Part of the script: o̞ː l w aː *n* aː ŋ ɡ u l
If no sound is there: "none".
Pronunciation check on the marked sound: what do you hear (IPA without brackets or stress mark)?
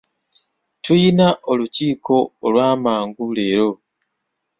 m